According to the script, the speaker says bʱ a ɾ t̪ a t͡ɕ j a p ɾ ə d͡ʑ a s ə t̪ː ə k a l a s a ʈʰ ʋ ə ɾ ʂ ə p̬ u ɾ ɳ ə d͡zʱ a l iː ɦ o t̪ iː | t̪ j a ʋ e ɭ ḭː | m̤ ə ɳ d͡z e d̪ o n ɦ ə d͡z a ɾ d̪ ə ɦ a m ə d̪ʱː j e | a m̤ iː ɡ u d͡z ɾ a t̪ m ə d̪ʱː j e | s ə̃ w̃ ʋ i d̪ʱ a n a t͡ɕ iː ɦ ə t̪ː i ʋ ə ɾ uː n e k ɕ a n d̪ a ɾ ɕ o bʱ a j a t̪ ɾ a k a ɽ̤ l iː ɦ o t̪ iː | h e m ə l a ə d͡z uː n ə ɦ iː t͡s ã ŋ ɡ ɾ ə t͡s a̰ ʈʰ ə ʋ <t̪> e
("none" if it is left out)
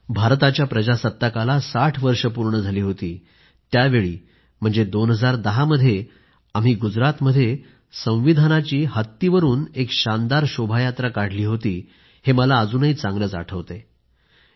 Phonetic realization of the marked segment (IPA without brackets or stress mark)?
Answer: t̪